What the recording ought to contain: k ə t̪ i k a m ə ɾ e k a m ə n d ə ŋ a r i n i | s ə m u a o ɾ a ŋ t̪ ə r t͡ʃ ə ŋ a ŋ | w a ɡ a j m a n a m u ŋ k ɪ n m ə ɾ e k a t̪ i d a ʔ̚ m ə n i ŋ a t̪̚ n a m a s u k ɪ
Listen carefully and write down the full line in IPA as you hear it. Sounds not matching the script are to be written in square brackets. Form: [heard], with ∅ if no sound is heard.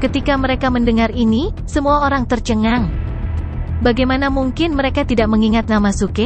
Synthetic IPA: k ə t̪ i k a m ə ɾ e k a m ə n d ə ŋ a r i n i | s ə m u a o ɾ a ŋ t̪ ə r t͡ʃ ə ŋ a ŋ | [b] a ɡ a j m a n a m u ŋ k ɪ n m ə ɾ e k a t̪ i d a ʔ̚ m ə [ŋ] i ŋ a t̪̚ n a m a s u k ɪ

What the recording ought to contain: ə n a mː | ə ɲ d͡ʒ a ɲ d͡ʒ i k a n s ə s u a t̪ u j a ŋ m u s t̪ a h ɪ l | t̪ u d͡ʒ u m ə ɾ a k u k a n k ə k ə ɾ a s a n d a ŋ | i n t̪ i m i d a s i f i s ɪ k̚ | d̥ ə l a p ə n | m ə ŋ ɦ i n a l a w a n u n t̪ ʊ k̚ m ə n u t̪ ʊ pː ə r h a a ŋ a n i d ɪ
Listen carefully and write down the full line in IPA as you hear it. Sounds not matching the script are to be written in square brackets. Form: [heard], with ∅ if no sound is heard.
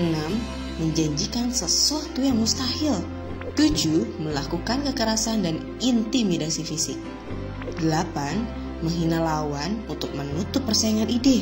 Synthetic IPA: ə n a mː | ə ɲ d͡ʒ a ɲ d͡ʒ i k a n s ə s u a t̪ u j a ŋ m u s t̪ a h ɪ l | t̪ u d͡ʒ u m ə [l] a k u k a n k ə k ə ɾ a s a n d a [n] | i n t̪ i m i d a s i f i s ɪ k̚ | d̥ ə l a p [a] n | m ə ŋ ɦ i n a l a w a n u n t̪ ʊ k̚ m ə n u t̪ ʊ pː ə r [s] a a ŋ a n i d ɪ

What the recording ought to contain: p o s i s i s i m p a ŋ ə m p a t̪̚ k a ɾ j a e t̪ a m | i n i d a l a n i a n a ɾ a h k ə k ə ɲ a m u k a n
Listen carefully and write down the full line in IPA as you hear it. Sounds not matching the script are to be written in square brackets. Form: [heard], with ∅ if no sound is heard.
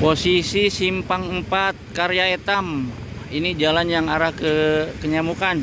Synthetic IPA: p o s i s i s i m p a ŋ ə m p a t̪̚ k a ɾ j a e t̪ a m | i n i [d͡ʒ] a l a n [j] a [ŋ] a ɾ a h k ə k ə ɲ a m u k a n

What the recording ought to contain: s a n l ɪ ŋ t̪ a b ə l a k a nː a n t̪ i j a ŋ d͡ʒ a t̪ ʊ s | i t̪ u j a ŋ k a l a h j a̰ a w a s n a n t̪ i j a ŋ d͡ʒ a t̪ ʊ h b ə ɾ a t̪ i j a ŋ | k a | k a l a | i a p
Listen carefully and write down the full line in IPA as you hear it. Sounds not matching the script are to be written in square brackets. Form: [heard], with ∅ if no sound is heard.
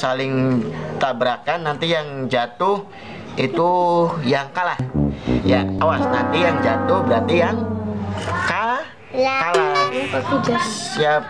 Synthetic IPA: s a [∅] l ɪ ŋ t̪ a b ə [ɾ] a k a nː a n t̪ i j a ŋ d͡ʒ a t̪ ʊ [h] | i t̪ u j a ŋ k a l a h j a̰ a w a s n a n t̪ i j a ŋ d͡ʒ a t̪ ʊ h b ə ɾ a t̪ i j a ŋ | k a | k a l a | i a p

